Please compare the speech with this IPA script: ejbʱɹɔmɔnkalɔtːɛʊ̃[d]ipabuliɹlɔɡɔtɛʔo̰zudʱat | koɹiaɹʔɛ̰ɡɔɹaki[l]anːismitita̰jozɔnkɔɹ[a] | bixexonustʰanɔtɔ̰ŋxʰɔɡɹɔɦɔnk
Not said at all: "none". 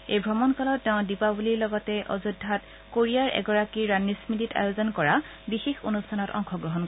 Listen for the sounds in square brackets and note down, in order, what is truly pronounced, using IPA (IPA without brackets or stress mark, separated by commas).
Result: d, ɹ, a